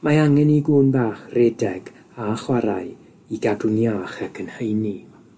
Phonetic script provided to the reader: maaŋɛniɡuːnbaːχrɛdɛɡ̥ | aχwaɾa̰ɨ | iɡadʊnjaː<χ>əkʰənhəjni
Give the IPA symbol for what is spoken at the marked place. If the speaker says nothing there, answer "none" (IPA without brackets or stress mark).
χ